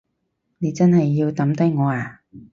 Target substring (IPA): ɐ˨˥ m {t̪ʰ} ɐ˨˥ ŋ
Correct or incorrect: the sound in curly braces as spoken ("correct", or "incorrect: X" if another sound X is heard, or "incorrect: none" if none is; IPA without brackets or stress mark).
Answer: incorrect: t̪